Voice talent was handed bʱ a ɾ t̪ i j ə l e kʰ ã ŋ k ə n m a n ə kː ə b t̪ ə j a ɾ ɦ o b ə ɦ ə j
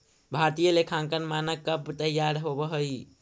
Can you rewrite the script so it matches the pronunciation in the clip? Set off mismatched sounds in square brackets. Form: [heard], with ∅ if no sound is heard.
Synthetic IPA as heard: bʱ a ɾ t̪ i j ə l e kʰ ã ŋ k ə n m a n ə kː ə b t̪ ə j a ɾ ɦ o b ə ɦ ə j

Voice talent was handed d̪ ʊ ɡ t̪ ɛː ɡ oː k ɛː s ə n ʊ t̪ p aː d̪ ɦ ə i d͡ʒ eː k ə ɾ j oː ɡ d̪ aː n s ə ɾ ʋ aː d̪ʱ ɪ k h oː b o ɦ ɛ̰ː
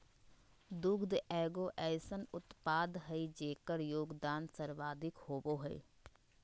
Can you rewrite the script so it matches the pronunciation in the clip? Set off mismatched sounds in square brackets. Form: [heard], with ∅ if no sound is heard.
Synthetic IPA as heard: d̪ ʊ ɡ [d̪] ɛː ɡ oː [ʔ] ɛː s ə n ʊ t̪ p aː d̪ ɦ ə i d͡ʒ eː k ə ɾ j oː ɡ d̪ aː n s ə ɾ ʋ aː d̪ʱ ɪ k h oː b o ɦ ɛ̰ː

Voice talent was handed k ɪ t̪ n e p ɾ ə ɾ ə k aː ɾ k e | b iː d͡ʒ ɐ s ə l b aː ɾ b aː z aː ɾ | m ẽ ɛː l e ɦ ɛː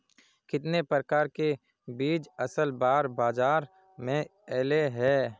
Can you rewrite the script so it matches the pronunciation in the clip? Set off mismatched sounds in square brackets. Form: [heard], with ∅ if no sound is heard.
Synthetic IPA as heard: k ɪ t̪ n e p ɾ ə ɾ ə k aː ɾ k e | b iː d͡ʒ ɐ s ə l b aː ɾ b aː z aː ɾ | m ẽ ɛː l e ɦ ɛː

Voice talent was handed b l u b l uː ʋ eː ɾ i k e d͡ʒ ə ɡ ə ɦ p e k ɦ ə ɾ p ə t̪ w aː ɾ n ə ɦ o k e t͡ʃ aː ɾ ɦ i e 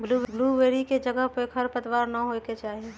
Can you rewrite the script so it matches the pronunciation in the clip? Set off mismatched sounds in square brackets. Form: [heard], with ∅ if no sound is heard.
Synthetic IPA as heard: b l u b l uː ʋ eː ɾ i k e d͡ʒ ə ɡ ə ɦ p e k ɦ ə ɾ p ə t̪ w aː ɾ n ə ɦ o k e t͡ʃ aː [∅] ɦ i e

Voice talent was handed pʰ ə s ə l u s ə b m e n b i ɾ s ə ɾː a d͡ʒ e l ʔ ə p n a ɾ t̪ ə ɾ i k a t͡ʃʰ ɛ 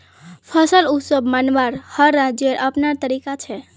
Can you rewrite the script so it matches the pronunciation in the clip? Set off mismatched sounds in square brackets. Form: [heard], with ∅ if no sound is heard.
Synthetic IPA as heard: pʰ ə s ə l u s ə b m [a] n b [a] ɾ [h] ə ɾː a d͡ʒ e [ɾ] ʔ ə p n a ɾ t̪ ə ɾ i k a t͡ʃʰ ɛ

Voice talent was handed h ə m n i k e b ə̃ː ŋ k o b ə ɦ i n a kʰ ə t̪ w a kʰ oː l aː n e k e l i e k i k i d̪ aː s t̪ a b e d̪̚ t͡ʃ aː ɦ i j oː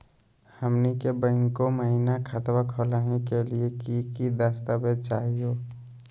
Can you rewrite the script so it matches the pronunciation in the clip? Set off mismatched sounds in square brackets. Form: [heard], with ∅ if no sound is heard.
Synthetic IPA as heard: h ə m n i k e b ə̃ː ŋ k o [m] ə ɦ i n a kʰ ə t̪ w a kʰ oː l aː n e k e l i e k i k i d̪ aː s t̪ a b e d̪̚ t͡ʃ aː ɦ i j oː

